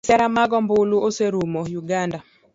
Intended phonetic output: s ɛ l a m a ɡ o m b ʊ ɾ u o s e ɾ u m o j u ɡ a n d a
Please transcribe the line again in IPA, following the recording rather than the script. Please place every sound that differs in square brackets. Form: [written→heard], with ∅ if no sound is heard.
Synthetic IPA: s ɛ [l→ɾ] a m a ɡ [o→ɔ] m b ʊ [ɾ→l] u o s e ɾ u m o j u ɡ a n d a